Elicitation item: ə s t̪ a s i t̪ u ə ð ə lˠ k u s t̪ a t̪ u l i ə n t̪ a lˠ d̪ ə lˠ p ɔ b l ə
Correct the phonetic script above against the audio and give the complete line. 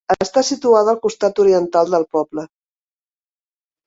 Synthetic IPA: ə s t̪ a s i t̪ u a ð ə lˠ k u s t̪ a t̪ u ɾ i ə n t̪ a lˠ d̪ ə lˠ p ɔ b l ə

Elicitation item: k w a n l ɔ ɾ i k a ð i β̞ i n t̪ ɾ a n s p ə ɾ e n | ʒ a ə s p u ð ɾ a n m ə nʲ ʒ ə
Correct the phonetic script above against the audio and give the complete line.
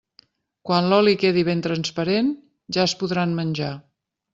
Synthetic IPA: k w a n l ɔ l i k e ð i β̞ e n t̪ ɾ ə n s p ə ɾ e n | ʒ a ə s p u ð ɾ a n m ə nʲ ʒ a

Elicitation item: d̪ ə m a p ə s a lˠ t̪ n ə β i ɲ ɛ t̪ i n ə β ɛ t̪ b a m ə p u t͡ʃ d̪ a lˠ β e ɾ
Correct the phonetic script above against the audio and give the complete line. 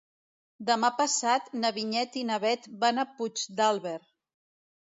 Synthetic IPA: d̪ ə m a p ə s a t̪ n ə β i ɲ ɛ t̪ i n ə β ɛ t̪ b a n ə p u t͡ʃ d̪ a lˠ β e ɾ

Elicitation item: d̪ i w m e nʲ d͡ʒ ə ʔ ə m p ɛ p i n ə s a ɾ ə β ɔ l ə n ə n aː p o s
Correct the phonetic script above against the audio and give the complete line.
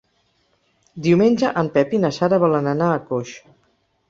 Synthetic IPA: d̪ i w m e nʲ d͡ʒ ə ʔ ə m p ɛ p i n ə s a ɾ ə β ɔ l ə n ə n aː k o ʃ

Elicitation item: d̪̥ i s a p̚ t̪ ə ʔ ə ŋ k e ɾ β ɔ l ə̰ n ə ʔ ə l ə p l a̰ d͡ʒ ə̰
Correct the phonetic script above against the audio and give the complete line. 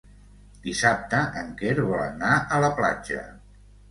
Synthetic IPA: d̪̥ i s a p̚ t̪ ə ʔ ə ŋ k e ɾ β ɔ l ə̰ n a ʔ ə l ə p l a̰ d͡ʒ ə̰

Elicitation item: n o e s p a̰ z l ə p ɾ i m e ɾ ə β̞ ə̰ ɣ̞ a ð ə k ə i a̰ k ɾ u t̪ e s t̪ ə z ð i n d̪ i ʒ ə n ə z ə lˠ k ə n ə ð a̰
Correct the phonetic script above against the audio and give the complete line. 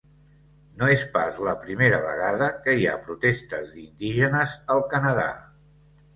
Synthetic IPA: n o e s p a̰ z l ə p ɾ i m e ɾ ə β̞ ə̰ ɣ̞ a ð ə k ə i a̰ p ɾ u t̪ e s t̪ ə z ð i n d̪ i ʒ ə n ə z ə lˠ k ə n ə ð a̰

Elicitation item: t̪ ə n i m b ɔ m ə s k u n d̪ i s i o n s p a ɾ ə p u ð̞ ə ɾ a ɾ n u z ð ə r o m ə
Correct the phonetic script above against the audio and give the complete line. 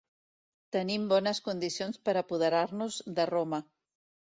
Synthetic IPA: t̪ ə n i m b ɔ n ə s k u n d̪ i s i o n s p ə ɾ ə p u ð̞ ə ɾ a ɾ n u z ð ə r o m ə

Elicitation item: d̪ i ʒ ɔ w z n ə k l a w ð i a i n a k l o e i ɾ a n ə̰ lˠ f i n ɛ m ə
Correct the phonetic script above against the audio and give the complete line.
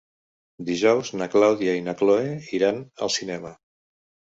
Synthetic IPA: d̪ i ʒ ɔ w z n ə k l a w ð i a i n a k l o e i ɾ a n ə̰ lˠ s i n ɛ m ə

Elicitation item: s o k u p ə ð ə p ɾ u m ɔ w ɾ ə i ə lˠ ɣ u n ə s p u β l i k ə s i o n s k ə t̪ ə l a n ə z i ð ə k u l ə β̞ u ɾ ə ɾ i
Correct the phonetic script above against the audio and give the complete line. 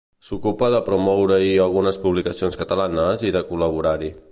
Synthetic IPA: s u k u p ə ð ə p ɾ u m ɔ w ɾ ə i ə lˠ ɣ u n ə s p u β l i k ə s i o n s k ə t̪ ə l a n ə z i ð ə k u l ə β̞ u ɾ a ɾ i

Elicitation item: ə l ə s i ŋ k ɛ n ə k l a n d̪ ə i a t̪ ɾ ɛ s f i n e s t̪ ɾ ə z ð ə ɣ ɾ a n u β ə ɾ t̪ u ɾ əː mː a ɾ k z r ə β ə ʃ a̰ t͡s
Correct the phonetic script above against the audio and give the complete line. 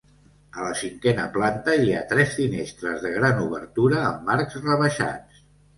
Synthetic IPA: ə l ə s i ŋ k ɛ n ə p l a n t̪ ə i a t̪ ɾ ɛ s f i n e s t̪ ɾ ə z ð ə ɣ ɾ a n u β ə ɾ t̪ u ɾ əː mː a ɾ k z r ə β ə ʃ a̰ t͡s

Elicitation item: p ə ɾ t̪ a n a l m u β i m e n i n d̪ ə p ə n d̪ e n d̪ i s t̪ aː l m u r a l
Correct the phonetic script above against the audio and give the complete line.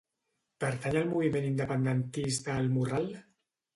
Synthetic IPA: p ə ɾ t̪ a ɲ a l m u β i m e n i n d̪ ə p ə n d̪ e n t̪ i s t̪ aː l m u r a l

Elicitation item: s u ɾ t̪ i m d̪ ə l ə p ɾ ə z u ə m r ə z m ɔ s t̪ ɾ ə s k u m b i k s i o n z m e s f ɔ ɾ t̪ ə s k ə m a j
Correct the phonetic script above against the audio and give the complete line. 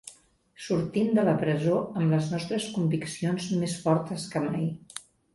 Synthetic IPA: s u ɾ t̪ i m d̪ ə l ə p ɾ ə z o ə m l ə z n ɔ s t̪ ɾ ə s k u m b i k s i o n z m e s f ɔ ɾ t̪ ə s k ə m a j

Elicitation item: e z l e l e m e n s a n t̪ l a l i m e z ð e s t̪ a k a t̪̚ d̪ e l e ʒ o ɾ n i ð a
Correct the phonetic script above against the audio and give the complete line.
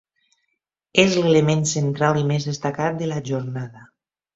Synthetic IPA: e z l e l e m e n s e n t̪ ɾ a l i m e z ð e s t̪ a k a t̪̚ d̪ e l a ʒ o ɾ n a ð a

